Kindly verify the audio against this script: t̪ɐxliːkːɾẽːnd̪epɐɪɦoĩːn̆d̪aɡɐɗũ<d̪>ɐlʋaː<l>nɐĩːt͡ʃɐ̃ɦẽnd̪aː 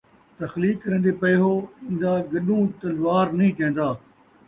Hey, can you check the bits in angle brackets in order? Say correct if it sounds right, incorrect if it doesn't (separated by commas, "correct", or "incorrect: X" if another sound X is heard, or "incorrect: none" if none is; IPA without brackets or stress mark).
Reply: incorrect: t̪, incorrect: ɾ